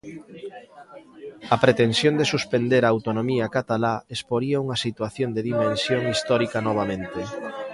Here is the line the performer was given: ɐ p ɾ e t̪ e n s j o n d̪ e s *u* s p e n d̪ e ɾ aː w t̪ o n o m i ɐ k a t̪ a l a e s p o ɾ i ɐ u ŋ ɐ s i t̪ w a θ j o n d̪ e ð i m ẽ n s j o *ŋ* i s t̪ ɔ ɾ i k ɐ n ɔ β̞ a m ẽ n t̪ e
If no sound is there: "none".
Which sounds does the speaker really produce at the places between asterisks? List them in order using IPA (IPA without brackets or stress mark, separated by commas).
u, ŋ